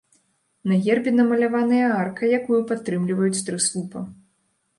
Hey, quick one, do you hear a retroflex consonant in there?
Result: no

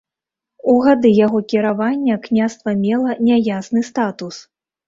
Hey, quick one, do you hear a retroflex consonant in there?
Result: no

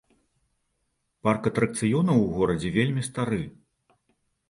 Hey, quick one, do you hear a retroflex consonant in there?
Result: no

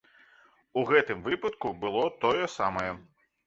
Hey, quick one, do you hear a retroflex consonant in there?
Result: no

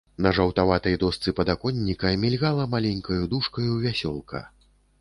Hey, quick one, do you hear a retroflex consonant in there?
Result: yes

